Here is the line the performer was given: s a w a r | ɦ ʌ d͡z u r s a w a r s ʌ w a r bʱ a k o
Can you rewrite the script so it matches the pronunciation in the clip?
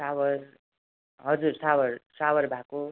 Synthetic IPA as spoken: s a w ʌ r | ɦ ʌ d͡z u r s a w ʌ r s a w ʌ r bʱ a k o

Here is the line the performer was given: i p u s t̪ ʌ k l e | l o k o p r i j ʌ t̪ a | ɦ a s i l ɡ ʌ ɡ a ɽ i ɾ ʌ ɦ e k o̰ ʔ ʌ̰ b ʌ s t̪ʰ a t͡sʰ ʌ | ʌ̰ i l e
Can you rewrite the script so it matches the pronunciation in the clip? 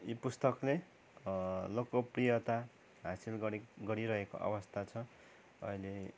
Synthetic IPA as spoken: i p u s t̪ ʌ k l e | l o k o p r i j ʌ t̪ a | ɦ a s i l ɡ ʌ ɡ ʌ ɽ i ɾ ʌ ɦ e k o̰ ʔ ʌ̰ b ʌ s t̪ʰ a t͡sʰ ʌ | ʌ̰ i l e

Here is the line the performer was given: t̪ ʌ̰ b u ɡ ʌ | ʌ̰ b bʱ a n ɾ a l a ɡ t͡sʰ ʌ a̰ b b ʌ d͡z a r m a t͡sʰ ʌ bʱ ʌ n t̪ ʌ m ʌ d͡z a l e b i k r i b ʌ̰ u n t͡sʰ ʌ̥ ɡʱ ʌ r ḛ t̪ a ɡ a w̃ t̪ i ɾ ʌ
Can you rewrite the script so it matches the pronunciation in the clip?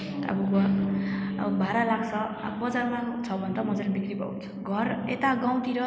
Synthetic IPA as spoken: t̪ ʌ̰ b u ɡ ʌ | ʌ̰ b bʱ a ɾ a l a ɡ t͡sʰ ʌ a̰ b b ʌ d͡z a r m a t͡sʰ ʌ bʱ ʌ n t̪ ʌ m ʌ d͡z a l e b i k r i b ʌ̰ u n t͡sʰ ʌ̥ ɡʱ ʌ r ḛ t̪ a ɡ a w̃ t̪ i ɾ ʌ

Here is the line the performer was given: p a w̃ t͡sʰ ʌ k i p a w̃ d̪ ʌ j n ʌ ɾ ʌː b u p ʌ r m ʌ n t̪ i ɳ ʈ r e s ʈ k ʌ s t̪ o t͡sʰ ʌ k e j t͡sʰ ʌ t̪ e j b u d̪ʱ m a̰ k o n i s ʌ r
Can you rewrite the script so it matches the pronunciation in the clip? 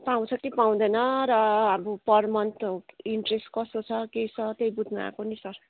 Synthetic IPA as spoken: p a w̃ t͡sʰ ʌ k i p a w̃ d̪ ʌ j n ʌ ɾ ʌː b u p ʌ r m ʌ n t̪ i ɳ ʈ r e s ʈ k ʌ s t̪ o t͡sʰ ʌ k e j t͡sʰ ʌ t̪ e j b u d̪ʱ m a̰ k o n i s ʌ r

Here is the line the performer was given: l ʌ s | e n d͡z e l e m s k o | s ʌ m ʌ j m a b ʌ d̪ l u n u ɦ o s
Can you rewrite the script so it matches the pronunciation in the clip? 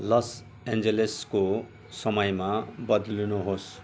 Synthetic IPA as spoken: l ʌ s | e n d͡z e l e s k o | s ʌ m ʌ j m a b ʌ d̪ l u n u ɦ o s

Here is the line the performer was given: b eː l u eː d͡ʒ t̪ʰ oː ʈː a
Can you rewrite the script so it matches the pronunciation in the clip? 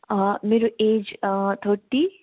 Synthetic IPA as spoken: m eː ɾ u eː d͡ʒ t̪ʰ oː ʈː i

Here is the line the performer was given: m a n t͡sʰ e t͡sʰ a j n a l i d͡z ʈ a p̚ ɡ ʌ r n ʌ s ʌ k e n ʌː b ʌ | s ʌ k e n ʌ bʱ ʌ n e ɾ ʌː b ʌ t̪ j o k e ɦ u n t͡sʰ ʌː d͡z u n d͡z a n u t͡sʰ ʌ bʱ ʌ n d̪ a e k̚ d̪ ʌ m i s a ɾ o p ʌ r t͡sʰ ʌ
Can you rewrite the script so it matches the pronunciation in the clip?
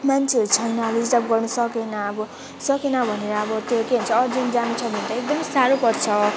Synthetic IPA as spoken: m a n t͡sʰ e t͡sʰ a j n a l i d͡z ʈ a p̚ ɡ ʌ r n ʌ s ʌ k e n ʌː b ʌ | s ʌ k e n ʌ bʱ ʌ n e ɾ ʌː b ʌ t̪ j o k e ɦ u n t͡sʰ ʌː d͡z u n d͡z a n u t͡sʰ ʌ bʱ ʌ n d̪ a e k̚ d̪ ʌ m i s a ɾ o p ʌ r t͡sʰ ʌ

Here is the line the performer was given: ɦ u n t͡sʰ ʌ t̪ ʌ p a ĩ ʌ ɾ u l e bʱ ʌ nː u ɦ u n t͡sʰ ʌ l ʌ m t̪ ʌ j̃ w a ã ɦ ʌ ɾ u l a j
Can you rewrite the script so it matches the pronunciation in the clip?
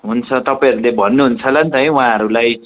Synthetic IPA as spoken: ɦ u n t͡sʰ ʌ t̪ ʌ p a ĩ ʌ ɾ u l e bʱ ʌ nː u ɦ u n t͡sʰ ʌ l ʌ n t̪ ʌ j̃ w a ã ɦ ʌ ɾ u l a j

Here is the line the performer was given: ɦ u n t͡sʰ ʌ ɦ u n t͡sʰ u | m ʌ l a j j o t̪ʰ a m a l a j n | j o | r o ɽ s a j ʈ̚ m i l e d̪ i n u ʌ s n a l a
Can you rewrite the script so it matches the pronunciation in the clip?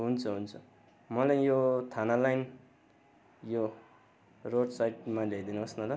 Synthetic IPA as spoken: ɦ u n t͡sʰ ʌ ɦ u n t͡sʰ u | m ʌ l a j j o t̪ʰ a n a l a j n | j o | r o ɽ s a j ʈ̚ m a l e d̪ i n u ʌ s n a l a

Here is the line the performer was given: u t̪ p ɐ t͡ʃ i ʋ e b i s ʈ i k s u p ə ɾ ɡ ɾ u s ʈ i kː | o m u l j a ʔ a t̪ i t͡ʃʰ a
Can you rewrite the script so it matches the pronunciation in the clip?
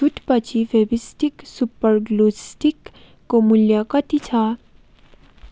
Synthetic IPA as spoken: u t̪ p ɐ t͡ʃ i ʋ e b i s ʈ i k s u p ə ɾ ɡ l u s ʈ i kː | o m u l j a k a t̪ i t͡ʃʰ a

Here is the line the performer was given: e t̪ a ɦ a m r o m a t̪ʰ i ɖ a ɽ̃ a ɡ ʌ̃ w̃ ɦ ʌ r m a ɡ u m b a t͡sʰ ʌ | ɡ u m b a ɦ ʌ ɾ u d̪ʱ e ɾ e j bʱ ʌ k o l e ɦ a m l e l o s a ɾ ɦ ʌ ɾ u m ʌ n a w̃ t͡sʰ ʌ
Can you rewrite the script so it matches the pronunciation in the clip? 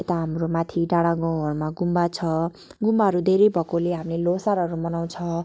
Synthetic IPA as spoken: e t̪ a ɦ a m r o m a t̪ʰ i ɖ a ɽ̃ a ɡ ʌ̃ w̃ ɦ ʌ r m a ɡ u m b a t͡sʰ ʌ | ɡ u m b a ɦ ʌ ɾ u d̪ʱ e ɾ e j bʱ ʌ k o l e ɦ a m l e l o s a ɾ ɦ ʌ ɾ u m ʌ n a w̃ t͡sʰ ʌ

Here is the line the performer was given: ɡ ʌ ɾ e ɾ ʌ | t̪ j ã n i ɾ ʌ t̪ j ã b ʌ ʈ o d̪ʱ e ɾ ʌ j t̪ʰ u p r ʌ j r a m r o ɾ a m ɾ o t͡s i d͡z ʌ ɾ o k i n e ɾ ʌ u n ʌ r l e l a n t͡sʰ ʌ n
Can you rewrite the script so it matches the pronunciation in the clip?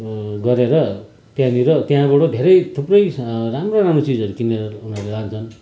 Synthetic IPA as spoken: ɡ ʌ ɾ e ɾ ʌ | t̪ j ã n i ɾ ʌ t̪ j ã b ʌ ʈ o d̪ʱ e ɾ ʌ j t̪ʰ u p r ʌ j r a m r o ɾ a m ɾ o t͡s i d͡z ʌ ɾ u k i n e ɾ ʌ u n ʌ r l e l a n t͡sʰ ʌ n

